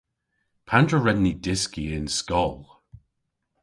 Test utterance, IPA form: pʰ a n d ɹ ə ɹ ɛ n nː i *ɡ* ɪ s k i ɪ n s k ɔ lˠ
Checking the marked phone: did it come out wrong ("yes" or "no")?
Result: yes